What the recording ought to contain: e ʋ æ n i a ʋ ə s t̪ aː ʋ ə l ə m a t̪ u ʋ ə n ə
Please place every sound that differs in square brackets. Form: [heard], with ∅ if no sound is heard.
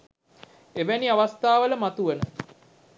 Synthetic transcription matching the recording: e ʋ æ n i a ʋ [a] s t̪ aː ʋ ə l ə m a t̪ u ʋ ə n ə